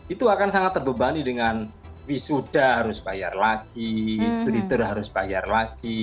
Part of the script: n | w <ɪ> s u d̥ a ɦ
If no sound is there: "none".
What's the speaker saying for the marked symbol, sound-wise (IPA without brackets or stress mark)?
i